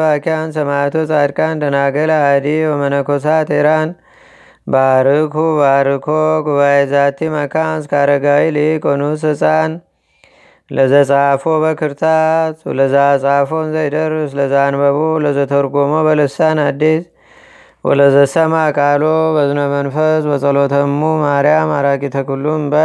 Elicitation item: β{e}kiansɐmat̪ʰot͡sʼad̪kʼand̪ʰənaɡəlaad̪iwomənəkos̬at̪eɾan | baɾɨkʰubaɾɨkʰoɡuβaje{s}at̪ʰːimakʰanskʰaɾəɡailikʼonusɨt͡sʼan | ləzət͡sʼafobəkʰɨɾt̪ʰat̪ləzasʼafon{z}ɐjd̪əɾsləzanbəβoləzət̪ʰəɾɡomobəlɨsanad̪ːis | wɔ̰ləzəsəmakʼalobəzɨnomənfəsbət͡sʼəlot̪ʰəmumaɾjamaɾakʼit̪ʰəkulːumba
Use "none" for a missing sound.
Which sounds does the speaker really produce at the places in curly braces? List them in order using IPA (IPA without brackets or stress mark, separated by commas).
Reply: a, z, z